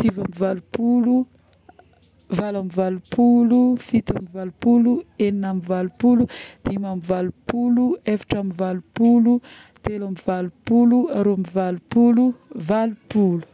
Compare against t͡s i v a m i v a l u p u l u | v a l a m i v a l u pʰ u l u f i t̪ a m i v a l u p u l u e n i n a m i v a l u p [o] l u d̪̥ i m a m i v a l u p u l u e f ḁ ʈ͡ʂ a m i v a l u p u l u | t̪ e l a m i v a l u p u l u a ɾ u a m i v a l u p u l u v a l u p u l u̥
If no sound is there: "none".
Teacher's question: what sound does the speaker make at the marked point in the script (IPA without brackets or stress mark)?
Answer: u